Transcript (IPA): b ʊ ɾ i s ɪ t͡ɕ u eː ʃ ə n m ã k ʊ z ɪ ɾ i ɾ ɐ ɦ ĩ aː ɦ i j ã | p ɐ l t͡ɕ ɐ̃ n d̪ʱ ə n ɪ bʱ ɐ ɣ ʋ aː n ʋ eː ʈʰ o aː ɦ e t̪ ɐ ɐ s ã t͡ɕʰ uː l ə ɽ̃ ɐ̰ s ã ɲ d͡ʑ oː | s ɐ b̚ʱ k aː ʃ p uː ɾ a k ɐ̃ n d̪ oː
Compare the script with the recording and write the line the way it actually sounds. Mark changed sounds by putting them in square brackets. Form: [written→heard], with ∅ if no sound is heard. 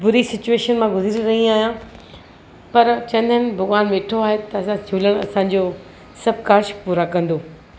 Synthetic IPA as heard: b ʊ ɾ i s ɪ t͡ɕ u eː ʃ ə n m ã [k→ɡ] ʊ z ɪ ɾ i ɾ ɐ ɦ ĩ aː ɦ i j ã | p ɐ [l→ɾ] t͡ɕ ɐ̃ n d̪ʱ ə n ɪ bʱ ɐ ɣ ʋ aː n ʋ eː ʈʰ o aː ɦ e t̪ ɐ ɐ s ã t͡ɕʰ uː l ə ɽ̃ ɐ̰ s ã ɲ d͡ʑ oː | s ɐ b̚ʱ k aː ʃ p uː ɾ a k ɐ̃ n d̪ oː

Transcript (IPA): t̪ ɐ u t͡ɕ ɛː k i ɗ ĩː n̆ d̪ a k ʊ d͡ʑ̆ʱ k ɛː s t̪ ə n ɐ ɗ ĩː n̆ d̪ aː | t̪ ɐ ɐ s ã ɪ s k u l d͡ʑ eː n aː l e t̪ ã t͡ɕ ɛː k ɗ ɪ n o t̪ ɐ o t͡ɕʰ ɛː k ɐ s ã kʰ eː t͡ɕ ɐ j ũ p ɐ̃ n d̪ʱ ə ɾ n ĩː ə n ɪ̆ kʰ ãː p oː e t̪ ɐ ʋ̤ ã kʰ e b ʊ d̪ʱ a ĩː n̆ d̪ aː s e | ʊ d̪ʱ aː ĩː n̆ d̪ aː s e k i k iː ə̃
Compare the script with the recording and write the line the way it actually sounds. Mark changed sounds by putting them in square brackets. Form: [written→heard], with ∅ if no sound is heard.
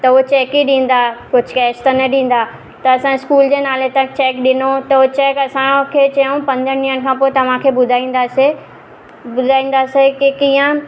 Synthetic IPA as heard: t̪ ɐ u t͡ɕ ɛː k i ɗ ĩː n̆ d̪ a k ʊ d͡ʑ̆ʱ k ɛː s t̪ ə n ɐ ɗ ĩː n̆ d̪ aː | t̪ ɐ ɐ s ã ɪ s k [u→uː] l d͡ʑ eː n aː l e t̪ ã t͡ɕ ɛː k ɗ ɪ n o t̪ ɐ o [t͡ɕʰ→t͡ɕ] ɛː k ɐ s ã kʰ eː t͡ɕ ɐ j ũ p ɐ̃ n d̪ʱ ə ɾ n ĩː ə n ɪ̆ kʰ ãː p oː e t̪ ɐ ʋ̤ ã kʰ e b ʊ d̪ʱ a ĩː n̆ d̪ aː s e | ʊ d̪ʱ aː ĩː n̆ d̪ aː s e k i k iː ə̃

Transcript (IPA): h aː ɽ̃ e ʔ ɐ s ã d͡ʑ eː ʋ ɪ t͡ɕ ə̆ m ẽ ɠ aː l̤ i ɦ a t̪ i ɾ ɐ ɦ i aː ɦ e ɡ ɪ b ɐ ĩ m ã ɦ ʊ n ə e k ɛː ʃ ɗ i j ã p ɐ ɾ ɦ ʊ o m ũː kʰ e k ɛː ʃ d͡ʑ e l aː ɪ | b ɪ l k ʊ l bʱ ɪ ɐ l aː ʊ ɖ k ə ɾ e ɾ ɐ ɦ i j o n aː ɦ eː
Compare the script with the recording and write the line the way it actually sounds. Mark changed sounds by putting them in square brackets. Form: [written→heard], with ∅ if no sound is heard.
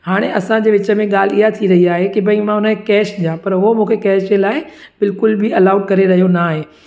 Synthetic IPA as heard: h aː ɽ̃ e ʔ ɐ s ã d͡ʑ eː ʋ ɪ t͡ɕ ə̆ m ẽ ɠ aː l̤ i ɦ a [t̪→t̪ʰ] i ɾ ɐ ɦ i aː ɦ e [ɡ→k] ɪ b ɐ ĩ m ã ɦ ʊ n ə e k ɛː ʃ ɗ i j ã p ɐ ɾ ɦ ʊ o m ũː kʰ e k ɛː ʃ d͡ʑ e l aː ɪ | b ɪ l k ʊ l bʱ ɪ ɐ l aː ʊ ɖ k [ə→ɐ] ɾ e ɾ ɐ ɦ i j o n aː ɦ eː

